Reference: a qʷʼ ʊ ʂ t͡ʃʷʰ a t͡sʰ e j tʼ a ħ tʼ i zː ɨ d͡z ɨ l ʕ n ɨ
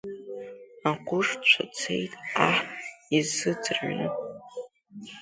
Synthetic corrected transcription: a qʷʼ ʊ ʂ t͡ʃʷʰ a t͡sʰ e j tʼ a ħ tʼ i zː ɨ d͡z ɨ r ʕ n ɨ

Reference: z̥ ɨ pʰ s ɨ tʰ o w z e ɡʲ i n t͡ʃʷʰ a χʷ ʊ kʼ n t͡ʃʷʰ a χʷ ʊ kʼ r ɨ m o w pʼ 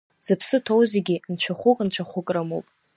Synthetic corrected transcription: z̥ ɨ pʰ s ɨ tʰ o w z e ɡʲ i n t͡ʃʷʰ a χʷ ʊ kʼ n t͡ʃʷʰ a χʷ ʊ kʼ r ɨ m o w pʼ

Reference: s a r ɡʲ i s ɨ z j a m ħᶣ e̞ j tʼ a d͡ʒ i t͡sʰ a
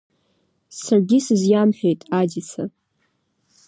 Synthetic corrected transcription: s a r ɡʲ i s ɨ z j a m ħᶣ e̞ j tʼ a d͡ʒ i t͡sʰ a

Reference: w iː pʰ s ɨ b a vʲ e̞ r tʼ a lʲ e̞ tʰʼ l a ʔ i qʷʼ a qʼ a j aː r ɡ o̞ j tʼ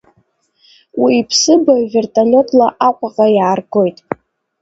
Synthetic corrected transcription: w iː pʰ s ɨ b a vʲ e̞ r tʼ a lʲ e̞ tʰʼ l a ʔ a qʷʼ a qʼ a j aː r ɡ o̞ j tʼ

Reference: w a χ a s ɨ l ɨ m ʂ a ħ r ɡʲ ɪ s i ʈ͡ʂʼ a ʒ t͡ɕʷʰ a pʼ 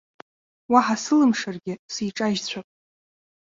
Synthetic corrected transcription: w a ħ a s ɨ l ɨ m ʂ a r ɡʲ ɪ s i ʈ͡ʂʼ a ʒ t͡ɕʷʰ a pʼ

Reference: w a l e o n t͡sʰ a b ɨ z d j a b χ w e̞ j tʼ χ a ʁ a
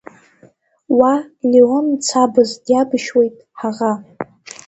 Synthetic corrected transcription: w a l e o n t͡sʰ a b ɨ z d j a b ʃ w e̞ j tʼ ħ a ʁ a

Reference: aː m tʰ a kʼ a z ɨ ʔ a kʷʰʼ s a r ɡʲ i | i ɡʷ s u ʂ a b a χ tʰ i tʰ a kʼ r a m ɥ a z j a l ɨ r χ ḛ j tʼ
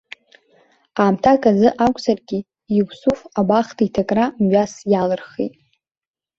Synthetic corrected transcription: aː m tʰ a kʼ a z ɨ ʔ a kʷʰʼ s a r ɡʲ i | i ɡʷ s u f a b a χ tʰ i tʰ a kʼ r a m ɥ a s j a l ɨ r χ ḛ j tʼ

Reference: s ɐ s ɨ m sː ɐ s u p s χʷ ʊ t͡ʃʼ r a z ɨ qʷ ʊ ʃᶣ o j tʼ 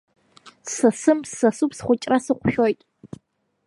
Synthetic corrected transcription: s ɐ s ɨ m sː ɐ s u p s χʷ ʊ t͡ʃʼ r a s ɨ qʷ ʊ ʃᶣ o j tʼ

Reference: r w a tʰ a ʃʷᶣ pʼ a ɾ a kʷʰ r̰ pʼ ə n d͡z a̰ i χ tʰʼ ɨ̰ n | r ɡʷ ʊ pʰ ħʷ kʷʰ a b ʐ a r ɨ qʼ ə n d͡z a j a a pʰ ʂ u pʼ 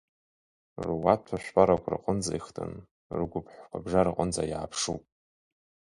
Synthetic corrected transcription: r w a tʰ a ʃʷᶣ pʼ a ɾ a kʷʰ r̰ qʼ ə n d͡z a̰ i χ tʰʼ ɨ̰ n | r ɡʷ ʊ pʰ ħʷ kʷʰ a b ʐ a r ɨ qʼ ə n d͡z a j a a pʰ ʂ u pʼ

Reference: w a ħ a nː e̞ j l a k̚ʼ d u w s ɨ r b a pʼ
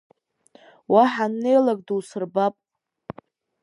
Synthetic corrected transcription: w a ħ a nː e̞ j l a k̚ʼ d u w s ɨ r b a pʼ

